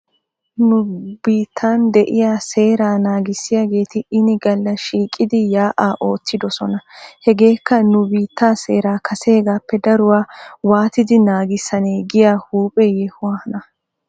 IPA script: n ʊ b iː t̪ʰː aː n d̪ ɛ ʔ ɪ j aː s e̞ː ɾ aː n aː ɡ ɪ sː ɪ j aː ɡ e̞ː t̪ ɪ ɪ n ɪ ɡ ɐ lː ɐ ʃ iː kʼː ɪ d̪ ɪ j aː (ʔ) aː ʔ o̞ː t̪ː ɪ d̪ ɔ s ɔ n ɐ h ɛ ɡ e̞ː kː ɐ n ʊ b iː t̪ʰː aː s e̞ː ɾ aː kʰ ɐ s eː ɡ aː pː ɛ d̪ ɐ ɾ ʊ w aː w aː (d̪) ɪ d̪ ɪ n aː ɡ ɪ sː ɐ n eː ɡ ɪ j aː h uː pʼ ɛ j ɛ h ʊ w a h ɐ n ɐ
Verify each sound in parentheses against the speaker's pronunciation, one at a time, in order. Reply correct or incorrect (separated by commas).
correct, incorrect